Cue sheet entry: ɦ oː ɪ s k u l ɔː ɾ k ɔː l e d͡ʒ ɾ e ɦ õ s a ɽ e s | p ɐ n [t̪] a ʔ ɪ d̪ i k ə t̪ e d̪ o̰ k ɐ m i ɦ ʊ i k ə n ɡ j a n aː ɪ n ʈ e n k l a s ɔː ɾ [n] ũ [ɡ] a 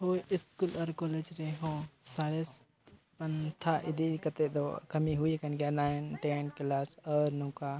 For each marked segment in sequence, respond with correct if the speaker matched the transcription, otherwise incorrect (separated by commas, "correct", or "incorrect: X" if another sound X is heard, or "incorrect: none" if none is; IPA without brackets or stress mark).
incorrect: t̪ʰ, correct, incorrect: k